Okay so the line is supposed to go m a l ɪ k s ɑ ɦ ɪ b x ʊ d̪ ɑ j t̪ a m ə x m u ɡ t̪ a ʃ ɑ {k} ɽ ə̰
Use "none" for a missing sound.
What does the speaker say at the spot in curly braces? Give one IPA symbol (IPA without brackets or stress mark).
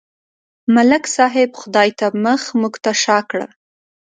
k